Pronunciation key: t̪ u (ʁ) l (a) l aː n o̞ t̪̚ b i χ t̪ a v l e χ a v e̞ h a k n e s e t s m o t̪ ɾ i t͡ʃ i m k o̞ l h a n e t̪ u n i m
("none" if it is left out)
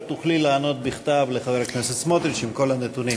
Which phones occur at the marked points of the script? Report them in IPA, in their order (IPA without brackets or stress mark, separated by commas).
χ, i